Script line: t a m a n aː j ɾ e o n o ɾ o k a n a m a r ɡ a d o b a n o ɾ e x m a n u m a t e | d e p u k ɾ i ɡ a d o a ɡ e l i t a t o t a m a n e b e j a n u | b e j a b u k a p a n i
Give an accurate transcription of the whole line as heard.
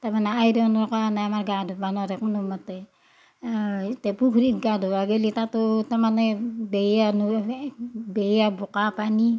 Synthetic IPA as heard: t a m a n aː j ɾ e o n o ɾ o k a n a m a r ɡ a d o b a n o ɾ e k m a n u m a t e | t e p u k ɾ i ɡ a d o a ɡ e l i t a t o t a m a n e b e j a n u | b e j a b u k a p a n i